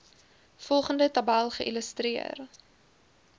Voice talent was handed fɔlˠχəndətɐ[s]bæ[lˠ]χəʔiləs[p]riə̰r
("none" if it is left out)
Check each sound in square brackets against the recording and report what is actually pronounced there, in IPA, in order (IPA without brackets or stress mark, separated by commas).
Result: none, lˠ, t